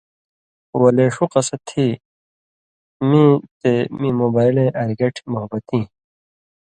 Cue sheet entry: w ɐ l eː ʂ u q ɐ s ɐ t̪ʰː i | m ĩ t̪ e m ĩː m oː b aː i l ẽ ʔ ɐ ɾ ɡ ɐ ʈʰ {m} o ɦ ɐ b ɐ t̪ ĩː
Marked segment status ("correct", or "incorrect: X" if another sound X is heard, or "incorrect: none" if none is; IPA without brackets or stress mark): correct